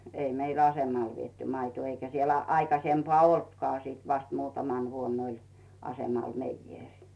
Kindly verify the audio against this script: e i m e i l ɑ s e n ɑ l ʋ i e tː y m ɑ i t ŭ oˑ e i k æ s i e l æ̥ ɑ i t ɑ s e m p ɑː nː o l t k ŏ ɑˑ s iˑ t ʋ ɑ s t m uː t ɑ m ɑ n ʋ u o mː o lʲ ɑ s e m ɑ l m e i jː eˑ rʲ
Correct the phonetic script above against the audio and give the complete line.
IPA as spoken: e i m e i l ɑ s e m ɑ l ʋ i e tː y m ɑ i t ŭ oˑ e i k æ s i e l æ̥ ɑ i k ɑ s e m p ɑː o l t k ŏ ɑˑ s iˑ t ʋ ɑ s t m uː t ɑ m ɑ n ʋ u o nː o lʲ ɑ s e m ɑ l m e i jː eˑ rʲ